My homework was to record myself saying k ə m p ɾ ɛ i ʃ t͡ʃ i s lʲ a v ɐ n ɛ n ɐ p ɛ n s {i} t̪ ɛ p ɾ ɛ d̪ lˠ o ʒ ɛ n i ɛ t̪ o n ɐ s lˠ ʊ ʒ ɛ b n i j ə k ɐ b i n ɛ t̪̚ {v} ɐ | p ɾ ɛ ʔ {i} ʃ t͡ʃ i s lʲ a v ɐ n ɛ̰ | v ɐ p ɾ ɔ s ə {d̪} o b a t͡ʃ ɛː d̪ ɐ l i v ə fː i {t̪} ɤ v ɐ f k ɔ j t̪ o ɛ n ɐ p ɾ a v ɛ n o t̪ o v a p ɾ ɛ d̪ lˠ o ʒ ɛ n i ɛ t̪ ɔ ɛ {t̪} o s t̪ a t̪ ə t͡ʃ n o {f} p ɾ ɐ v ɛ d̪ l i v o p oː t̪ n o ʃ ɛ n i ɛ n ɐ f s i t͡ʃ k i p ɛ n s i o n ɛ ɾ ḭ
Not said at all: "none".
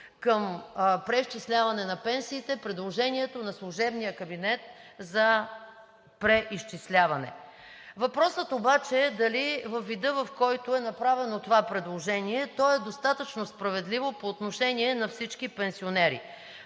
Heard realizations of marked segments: iː, z, i, t̪, d̪, d̪, s

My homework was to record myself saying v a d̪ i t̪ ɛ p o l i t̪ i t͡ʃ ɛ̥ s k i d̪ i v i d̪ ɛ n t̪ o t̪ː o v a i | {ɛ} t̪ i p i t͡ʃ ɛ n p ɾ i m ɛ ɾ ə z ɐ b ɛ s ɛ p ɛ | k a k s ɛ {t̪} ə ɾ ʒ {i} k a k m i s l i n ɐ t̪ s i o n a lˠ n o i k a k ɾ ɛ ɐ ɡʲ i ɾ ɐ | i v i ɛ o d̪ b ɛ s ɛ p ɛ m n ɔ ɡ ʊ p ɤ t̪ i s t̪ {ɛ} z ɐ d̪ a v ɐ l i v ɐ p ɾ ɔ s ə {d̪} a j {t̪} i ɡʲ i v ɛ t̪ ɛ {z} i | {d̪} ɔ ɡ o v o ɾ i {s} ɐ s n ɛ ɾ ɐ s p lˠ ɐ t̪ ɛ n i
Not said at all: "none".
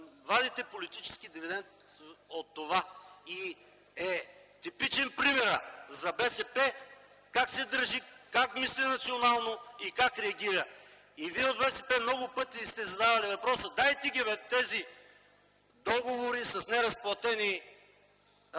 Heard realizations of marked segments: ɛ, d̪, i, ɛ, d̪, t̪, z, d̪, s

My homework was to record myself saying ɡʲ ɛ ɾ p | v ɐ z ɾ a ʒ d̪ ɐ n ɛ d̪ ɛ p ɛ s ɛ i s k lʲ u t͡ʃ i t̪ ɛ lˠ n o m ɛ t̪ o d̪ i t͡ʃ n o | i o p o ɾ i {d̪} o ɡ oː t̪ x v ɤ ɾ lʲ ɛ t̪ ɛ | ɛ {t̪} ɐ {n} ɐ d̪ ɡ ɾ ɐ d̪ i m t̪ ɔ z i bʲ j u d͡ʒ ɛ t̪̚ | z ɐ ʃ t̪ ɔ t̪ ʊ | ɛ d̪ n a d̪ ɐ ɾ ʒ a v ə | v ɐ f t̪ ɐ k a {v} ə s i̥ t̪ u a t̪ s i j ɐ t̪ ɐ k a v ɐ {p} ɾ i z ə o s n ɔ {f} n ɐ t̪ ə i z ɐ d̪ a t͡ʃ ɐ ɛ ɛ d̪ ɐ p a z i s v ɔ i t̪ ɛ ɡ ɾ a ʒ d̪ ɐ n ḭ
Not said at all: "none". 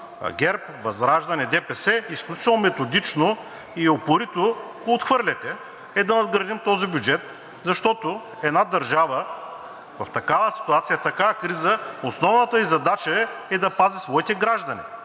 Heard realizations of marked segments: t̪, d̪, n, v, k, v

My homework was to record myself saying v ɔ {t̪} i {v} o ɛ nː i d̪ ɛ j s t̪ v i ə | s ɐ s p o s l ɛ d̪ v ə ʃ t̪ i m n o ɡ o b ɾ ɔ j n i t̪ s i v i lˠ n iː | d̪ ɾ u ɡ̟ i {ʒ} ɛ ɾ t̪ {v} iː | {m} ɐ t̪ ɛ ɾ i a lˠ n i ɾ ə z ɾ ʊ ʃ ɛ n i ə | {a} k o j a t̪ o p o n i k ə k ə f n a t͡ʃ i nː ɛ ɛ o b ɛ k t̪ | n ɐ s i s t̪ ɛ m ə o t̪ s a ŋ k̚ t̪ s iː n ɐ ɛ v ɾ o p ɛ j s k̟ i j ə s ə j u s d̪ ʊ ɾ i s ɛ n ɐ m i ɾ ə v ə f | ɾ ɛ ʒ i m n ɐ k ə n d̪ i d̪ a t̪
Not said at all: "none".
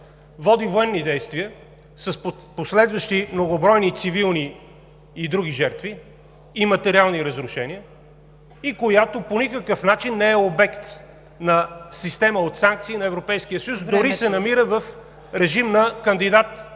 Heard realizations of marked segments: d̪, v, ʒ, v, m, i

